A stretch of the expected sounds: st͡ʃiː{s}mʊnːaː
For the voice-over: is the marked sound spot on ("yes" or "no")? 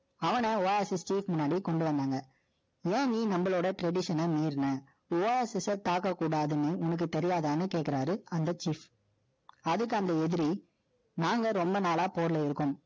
no